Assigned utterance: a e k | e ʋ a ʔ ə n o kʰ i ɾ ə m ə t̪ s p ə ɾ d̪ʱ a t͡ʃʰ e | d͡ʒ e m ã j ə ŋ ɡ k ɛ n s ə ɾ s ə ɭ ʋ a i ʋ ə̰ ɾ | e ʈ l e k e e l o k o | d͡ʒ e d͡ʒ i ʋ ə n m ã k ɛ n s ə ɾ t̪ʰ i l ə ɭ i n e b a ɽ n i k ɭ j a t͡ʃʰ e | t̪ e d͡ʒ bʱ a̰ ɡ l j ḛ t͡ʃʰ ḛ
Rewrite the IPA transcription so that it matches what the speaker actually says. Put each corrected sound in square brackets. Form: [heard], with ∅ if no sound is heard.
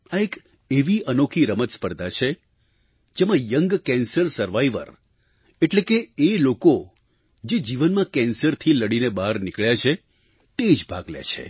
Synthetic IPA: a e k | e ʋ [i] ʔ ə n o kʰ i ɾ ə m ə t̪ s p ə ɾ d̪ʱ a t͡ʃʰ e | d͡ʒ e m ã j ə ŋ ɡ k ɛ n s ə ɾ s ə [ɾ] ʋ a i ʋ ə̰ ɾ | e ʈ l e k e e l o k o | d͡ʒ e d͡ʒ i ʋ ə n m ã k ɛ n s ə ɾ t̪ʰ i l ə [ɽ] i n e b a [ɾ] n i k ɭ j a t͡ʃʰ e | t̪ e d͡ʒ bʱ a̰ ɡ l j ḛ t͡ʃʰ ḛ